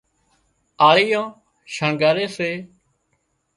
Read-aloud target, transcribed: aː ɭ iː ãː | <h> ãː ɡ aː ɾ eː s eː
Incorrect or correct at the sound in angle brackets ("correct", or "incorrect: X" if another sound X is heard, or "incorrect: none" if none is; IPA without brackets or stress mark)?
incorrect: ʃ